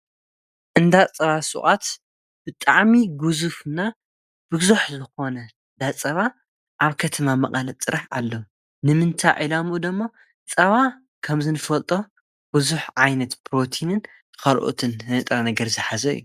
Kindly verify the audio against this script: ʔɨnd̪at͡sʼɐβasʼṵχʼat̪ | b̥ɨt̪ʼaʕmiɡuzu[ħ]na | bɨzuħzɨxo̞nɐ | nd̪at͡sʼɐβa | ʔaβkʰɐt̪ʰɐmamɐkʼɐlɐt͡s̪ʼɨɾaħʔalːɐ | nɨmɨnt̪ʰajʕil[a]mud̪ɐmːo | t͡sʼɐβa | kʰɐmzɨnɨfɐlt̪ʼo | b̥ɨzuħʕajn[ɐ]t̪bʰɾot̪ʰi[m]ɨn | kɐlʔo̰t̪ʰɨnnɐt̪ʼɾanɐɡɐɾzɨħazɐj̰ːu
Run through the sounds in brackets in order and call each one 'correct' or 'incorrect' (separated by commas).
incorrect, correct, correct, incorrect